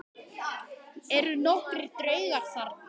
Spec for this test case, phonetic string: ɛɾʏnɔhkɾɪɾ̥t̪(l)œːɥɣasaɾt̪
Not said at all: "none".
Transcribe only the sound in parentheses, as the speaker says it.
ɾ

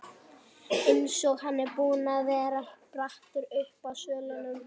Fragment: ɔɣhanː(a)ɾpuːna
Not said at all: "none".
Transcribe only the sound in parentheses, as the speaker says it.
ɛ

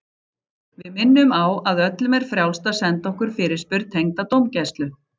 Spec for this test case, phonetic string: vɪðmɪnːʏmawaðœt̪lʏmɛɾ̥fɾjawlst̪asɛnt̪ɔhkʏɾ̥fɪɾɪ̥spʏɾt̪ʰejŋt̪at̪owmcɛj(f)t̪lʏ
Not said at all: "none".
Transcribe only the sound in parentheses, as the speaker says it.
s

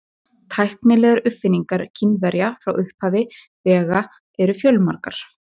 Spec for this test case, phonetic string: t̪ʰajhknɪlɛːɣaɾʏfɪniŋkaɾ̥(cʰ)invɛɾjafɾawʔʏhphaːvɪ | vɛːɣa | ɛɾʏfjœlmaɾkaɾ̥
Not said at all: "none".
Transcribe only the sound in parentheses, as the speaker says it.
cʰ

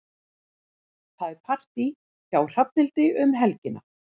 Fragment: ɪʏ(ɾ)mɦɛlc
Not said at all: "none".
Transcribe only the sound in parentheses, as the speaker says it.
none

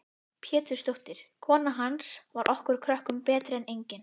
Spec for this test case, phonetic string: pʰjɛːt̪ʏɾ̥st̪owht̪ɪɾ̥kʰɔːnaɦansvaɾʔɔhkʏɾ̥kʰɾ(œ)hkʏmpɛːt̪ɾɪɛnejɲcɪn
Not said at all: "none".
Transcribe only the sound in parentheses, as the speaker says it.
œ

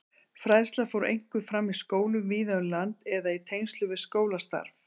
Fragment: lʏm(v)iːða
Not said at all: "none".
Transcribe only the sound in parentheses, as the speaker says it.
v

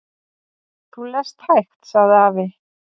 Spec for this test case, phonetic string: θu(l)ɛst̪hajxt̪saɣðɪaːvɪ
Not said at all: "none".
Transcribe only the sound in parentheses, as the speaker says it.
l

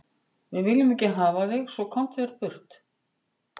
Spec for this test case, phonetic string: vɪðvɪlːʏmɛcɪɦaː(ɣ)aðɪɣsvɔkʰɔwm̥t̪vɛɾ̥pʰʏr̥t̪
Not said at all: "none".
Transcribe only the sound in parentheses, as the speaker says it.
v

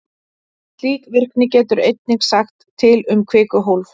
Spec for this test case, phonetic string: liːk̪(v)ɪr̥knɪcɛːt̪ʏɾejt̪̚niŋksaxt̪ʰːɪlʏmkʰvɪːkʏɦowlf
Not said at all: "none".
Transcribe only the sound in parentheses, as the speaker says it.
v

